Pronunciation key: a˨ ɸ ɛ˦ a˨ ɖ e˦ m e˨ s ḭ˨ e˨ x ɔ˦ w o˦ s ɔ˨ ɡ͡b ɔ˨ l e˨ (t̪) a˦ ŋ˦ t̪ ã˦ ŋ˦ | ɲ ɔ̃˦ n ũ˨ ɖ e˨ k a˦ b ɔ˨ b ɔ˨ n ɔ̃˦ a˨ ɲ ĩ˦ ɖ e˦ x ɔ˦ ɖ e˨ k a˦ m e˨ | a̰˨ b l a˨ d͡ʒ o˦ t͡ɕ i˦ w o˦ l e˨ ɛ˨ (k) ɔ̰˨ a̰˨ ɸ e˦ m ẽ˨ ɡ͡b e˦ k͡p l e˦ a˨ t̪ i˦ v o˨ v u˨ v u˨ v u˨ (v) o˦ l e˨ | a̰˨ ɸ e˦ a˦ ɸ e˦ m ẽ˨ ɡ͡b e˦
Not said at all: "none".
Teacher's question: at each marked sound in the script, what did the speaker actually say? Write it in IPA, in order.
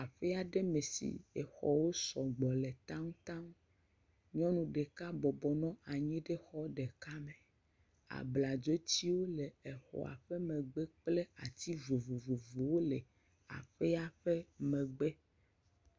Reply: t̪, x, w

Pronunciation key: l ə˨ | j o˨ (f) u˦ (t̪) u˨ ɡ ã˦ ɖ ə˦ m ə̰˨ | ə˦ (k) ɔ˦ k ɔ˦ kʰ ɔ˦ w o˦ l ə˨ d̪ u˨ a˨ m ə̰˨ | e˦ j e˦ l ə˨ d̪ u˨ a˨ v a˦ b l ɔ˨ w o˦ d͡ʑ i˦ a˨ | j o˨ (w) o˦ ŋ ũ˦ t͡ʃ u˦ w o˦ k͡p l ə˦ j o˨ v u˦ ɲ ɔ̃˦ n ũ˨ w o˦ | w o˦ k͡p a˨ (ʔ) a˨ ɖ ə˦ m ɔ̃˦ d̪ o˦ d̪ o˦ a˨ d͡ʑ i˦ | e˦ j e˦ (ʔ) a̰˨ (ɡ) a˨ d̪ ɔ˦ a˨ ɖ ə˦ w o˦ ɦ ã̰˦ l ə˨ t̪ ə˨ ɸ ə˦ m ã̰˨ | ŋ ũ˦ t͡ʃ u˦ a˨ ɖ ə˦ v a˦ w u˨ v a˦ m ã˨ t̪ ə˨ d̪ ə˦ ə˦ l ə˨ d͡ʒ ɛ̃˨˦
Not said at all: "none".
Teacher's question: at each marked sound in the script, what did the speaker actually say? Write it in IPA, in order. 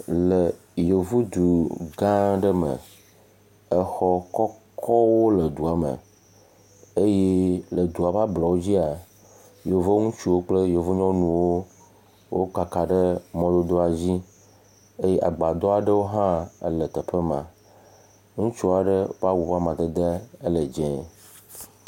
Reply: v, d̪, x, v, k, ʔ, ɡ͡b

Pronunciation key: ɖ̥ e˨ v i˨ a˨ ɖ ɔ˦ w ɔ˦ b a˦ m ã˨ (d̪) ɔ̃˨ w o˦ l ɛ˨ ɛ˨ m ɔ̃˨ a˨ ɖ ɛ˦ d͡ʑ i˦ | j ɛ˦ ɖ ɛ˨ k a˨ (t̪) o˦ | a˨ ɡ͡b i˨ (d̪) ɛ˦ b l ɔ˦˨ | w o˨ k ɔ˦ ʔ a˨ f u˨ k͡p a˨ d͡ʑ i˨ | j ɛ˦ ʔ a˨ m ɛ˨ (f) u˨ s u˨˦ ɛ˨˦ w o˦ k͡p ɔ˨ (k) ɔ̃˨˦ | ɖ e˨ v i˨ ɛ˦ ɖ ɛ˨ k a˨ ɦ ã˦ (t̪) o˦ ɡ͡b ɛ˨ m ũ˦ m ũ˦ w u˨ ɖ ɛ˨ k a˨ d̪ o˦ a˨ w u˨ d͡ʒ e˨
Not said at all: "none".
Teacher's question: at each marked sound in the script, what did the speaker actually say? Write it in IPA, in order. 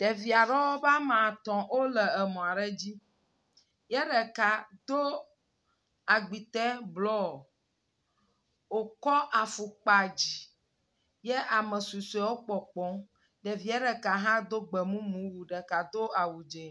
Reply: t̪, d̪, t̪, s, k͡p, d̪

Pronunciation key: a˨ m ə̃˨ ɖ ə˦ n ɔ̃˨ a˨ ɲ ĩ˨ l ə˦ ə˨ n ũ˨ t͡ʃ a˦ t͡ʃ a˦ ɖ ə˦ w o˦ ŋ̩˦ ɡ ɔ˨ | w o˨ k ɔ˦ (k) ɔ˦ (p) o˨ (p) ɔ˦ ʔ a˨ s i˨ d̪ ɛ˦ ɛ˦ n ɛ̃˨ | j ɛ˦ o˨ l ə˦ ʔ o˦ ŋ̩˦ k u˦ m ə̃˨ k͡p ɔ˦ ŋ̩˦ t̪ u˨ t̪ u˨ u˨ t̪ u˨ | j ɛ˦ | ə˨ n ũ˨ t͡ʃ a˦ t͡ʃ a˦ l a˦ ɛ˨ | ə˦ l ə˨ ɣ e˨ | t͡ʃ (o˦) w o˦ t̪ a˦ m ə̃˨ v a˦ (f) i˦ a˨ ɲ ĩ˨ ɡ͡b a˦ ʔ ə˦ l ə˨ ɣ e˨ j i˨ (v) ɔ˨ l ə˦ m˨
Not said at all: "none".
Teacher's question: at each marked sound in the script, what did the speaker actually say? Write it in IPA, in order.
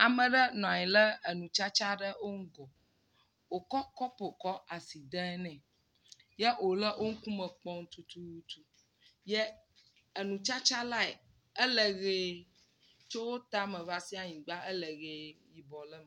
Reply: k, p, k, o˦, s, b

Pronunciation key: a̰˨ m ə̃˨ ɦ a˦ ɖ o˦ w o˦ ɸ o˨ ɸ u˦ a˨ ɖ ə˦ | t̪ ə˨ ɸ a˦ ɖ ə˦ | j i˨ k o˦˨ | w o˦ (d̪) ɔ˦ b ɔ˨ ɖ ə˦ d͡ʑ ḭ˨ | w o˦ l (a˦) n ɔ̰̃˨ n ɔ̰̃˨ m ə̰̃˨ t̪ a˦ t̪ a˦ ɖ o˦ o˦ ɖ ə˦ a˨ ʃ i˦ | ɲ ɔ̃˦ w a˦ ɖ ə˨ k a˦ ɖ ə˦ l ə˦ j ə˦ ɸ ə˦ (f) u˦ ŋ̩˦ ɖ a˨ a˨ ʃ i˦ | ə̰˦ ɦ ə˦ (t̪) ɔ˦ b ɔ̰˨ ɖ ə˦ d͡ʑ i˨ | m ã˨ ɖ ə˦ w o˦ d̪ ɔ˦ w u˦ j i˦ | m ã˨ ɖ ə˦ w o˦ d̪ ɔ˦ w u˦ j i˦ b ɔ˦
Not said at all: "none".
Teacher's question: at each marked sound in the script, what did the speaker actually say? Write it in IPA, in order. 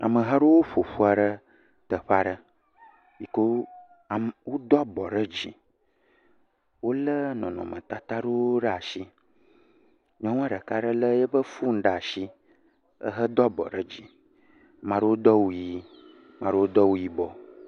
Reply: d̪, ə˦, f, d̪

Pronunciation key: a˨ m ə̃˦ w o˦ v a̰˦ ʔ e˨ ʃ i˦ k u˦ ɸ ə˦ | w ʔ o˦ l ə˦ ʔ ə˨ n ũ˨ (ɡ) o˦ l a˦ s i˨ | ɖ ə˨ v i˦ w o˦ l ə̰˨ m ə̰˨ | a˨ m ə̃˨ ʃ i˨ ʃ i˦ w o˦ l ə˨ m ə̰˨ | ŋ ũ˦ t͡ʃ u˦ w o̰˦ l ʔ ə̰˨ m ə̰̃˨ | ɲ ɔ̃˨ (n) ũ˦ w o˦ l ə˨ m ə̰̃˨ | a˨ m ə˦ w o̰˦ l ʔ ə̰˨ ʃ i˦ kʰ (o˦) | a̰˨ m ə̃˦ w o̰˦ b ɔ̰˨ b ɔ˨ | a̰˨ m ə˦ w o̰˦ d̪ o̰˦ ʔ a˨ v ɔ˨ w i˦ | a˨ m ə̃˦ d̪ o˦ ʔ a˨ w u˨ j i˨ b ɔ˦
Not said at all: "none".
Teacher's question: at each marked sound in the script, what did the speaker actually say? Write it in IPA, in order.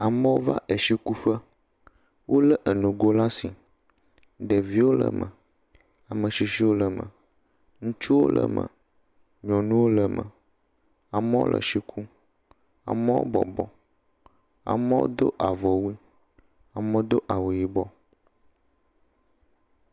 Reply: ɡ, n, u˦

